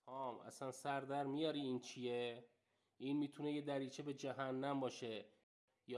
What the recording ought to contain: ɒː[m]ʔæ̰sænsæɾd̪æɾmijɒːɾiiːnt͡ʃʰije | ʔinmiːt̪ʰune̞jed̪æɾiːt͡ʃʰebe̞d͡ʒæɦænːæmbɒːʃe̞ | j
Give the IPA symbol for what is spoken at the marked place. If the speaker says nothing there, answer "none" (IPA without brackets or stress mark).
m